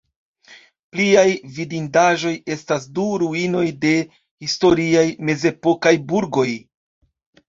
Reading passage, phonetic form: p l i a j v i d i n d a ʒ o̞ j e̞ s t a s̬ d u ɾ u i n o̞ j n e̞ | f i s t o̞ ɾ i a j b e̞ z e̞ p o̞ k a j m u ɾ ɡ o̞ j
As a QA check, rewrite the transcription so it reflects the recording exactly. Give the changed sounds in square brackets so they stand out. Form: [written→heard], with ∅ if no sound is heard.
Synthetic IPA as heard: p l i a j v i d i n d a ʒ o̞ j e̞ s t a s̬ d u ɾ u i n o̞ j [n→d] e̞ | [f→h] i s t o̞ ɾ i a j [b→m] e̞ z e̞ p o̞ k a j [m→b] u ɾ ɡ o̞ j